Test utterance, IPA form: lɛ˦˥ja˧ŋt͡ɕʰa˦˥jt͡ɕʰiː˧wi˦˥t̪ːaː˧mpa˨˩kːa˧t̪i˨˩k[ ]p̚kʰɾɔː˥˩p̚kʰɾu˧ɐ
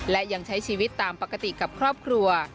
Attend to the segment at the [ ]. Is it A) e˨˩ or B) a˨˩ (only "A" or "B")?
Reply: B